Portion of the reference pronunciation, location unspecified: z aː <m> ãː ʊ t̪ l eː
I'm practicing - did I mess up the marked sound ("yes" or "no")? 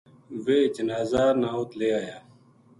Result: yes